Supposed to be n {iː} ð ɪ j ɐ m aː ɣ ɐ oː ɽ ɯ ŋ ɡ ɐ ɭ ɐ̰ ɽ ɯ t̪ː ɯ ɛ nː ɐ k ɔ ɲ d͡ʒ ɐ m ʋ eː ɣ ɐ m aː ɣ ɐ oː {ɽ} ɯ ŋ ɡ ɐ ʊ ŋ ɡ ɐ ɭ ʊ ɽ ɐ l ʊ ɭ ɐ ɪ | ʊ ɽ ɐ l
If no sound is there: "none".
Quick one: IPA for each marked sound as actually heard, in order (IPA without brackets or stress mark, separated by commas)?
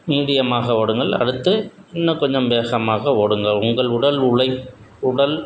iː, ɽ